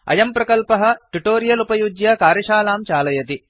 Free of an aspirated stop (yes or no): yes